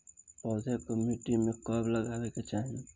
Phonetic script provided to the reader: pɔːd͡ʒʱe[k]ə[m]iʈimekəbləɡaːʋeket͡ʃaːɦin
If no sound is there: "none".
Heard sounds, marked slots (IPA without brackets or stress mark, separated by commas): k, m